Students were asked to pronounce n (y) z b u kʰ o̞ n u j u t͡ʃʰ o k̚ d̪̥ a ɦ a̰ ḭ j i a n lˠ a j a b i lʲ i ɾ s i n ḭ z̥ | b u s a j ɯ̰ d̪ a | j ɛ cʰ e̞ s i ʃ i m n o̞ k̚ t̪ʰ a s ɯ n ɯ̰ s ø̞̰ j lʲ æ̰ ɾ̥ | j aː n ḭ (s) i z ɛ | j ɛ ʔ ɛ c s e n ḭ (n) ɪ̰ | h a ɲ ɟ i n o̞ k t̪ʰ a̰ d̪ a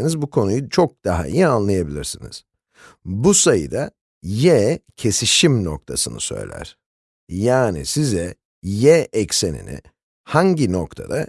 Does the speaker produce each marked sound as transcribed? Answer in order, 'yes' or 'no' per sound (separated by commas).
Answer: no, yes, yes